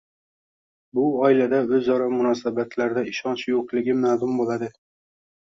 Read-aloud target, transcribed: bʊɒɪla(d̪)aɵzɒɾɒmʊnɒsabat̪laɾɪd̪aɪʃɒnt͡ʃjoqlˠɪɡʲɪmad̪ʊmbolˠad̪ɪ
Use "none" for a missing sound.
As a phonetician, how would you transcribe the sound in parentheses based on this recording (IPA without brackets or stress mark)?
d̪